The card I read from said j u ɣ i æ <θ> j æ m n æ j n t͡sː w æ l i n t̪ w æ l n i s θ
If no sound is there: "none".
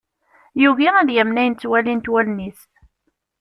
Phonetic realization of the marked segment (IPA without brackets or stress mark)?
ð